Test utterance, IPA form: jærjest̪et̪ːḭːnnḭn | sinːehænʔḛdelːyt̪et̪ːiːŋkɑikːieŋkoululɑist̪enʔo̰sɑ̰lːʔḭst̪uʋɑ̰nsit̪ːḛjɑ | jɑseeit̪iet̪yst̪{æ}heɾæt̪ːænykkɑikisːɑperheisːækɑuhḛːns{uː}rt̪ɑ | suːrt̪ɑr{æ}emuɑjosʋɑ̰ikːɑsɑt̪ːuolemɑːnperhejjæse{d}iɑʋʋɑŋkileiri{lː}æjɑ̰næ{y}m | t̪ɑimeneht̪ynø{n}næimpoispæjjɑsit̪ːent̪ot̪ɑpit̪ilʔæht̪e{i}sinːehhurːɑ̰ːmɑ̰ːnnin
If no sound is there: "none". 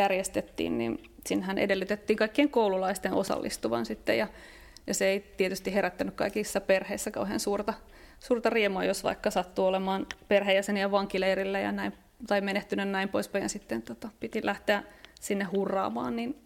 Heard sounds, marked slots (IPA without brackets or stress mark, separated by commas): i, uː, i, n, lː, i, n, æ